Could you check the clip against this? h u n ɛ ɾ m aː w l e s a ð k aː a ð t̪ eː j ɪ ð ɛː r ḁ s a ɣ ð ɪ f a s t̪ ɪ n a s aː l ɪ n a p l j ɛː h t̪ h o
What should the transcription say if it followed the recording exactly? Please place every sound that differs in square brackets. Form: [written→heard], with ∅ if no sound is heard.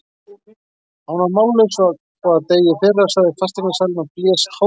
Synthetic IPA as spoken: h u n [ɛ→a] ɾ m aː w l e s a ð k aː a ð t̪ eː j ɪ [ð→θ] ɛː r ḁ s a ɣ ð ɪ f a s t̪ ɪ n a s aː l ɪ n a p l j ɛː [h→s] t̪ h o